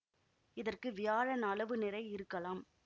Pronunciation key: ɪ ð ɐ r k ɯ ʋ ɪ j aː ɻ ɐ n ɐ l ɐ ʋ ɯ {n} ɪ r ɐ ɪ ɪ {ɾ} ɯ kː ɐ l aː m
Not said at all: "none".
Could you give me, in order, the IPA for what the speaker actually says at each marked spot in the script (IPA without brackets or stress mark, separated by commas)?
n, ɾ